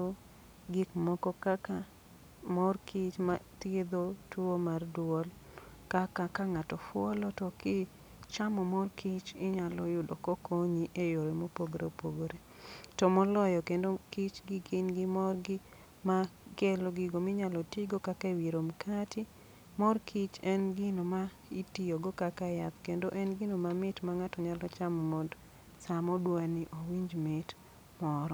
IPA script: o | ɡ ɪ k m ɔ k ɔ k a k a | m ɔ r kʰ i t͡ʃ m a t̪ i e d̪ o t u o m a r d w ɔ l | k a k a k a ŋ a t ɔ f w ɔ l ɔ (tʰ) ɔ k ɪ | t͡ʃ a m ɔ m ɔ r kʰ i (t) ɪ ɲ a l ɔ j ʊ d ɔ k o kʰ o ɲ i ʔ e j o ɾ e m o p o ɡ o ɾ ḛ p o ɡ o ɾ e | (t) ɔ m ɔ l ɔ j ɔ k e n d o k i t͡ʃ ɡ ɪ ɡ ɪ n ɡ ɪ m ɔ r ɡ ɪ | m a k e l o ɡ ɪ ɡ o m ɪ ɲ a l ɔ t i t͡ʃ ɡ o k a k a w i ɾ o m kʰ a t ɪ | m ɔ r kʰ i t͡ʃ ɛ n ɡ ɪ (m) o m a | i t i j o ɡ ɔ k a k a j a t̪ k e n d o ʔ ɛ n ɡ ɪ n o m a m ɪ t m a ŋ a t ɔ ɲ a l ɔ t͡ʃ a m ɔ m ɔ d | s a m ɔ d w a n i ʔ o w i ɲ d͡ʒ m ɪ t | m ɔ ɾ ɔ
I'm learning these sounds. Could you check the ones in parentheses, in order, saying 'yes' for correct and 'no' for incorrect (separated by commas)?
no, no, yes, no